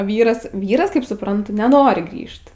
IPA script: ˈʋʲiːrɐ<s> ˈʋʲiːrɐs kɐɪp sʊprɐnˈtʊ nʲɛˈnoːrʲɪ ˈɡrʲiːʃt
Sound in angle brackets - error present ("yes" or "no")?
no